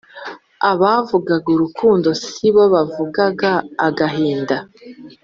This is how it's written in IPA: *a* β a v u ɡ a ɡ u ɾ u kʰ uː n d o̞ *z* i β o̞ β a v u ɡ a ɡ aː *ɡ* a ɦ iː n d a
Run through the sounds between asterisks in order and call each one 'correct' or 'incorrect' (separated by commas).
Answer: correct, incorrect, correct